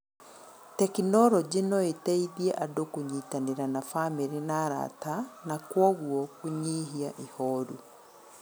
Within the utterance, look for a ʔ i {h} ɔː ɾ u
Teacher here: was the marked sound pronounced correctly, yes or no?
yes